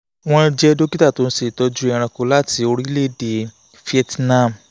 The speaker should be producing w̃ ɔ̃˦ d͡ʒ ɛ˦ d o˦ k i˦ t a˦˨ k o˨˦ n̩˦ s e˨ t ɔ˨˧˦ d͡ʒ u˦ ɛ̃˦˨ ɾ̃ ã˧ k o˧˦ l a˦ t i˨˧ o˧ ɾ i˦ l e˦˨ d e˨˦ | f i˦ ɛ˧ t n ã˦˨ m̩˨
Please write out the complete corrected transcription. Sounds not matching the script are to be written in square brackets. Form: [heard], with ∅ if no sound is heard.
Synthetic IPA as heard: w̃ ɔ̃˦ d͡ʒ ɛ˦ d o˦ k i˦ t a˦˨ [t] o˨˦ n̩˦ s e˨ t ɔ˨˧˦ d͡ʒ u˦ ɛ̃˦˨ ɾ̃ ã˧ k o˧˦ l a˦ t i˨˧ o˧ ɾ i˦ l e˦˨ d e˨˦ | f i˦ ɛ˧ t n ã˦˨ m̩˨